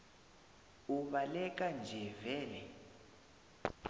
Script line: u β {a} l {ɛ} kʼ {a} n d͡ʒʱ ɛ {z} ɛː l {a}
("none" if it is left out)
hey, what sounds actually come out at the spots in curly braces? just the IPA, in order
a, ɛ, a, v, ɛ

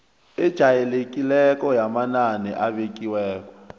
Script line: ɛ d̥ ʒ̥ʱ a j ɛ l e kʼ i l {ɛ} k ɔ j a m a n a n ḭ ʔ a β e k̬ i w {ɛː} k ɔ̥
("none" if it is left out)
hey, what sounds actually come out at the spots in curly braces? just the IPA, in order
ɛ, ɛː

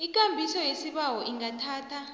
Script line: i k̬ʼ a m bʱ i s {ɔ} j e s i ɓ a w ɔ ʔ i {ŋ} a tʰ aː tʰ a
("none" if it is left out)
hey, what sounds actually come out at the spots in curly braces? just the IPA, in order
ɔ, ŋ

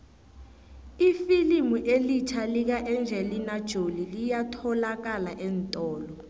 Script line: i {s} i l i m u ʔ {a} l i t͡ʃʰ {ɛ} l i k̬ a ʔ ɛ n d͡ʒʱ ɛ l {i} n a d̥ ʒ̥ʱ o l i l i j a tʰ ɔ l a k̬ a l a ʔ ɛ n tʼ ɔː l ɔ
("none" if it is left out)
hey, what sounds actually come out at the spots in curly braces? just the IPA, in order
f, e, a, i

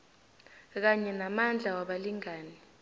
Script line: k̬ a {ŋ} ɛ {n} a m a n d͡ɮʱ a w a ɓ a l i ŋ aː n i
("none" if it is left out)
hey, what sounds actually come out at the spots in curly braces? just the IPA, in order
ɲ, n

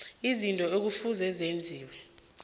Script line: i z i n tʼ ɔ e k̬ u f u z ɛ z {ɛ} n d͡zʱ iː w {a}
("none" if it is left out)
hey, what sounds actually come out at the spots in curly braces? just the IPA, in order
e, ɛ

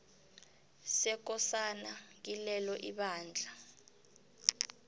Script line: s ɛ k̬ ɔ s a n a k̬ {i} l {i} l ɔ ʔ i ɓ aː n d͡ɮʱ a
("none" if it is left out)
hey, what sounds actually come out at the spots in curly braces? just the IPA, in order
i, ɛ

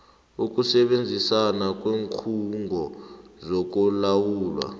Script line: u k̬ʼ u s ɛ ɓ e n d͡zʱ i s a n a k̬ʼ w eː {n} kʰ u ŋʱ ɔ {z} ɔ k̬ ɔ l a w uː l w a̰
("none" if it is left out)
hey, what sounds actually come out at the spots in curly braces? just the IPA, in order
ŋ, z

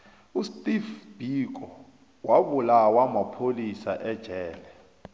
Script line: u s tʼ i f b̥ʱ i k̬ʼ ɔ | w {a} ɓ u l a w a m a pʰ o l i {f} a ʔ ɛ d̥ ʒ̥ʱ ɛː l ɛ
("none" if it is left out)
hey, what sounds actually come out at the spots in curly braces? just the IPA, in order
a, s

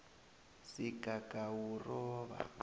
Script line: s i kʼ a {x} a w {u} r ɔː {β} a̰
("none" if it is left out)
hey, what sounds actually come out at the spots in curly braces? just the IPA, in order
k, u, β

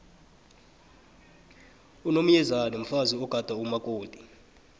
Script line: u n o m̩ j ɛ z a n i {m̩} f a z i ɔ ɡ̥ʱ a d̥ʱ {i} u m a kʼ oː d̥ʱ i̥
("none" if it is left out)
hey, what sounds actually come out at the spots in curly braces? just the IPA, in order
m̩, a

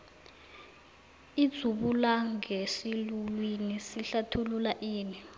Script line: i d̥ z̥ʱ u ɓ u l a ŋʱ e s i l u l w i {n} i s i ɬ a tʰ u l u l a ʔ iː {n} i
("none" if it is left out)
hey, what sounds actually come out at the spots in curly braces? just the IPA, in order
n, n

